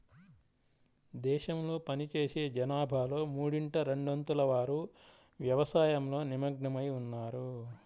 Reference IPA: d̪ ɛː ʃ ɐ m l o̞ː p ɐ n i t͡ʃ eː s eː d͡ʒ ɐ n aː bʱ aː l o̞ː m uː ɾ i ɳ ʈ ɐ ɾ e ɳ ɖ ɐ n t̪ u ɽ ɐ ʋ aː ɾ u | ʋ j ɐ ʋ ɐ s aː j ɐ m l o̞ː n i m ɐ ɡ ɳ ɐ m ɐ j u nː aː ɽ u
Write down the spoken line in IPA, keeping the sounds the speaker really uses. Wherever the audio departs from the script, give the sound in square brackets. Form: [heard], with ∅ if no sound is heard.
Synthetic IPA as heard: d̪ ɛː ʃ ɐ m l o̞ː p ɐ n i t͡ʃ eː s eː d͡ʒ ɐ n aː bʱ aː l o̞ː m uː [ɽ] i ɳ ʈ ɐ ɾ e ɳ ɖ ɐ n t̪ u [l] ɐ ʋ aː ɾ u | ʋ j ɐ ʋ ɐ s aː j ɐ m l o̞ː n i m ɐ ɡ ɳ ɐ m ɐ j u nː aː [ɾ] u